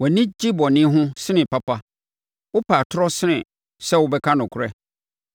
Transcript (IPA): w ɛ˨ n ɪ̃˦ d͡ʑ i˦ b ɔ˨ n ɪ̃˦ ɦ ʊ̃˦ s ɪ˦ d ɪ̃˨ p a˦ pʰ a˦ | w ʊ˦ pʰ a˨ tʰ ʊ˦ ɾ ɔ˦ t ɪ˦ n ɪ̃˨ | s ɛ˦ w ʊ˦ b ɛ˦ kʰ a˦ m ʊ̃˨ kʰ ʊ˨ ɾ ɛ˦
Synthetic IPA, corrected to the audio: w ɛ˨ n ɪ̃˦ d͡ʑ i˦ b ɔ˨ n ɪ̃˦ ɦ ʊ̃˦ s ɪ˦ n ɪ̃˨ p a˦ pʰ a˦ | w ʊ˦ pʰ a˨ tʰ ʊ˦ ɾ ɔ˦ s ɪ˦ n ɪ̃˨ | s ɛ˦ w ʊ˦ b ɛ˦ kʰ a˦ n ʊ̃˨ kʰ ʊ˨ ɾ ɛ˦